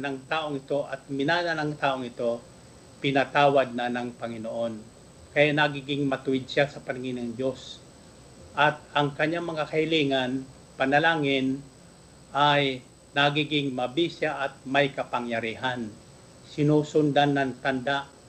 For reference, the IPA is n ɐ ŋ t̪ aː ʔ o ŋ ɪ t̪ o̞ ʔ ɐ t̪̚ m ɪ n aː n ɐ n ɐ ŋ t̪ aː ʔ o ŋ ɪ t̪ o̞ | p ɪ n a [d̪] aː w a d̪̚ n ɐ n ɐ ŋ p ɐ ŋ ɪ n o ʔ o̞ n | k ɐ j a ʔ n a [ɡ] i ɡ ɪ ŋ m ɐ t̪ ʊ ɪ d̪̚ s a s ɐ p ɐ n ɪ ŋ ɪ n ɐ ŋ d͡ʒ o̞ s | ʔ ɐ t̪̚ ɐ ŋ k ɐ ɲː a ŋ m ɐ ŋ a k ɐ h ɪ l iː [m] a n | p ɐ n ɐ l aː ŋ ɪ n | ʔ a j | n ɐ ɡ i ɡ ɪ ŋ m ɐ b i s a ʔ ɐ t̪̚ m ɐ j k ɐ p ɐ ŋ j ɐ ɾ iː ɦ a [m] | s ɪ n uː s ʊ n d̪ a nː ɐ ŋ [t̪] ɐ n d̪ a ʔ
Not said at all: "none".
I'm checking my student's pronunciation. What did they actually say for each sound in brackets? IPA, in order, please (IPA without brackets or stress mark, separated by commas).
t̪, ɡ, ŋ, n, t̪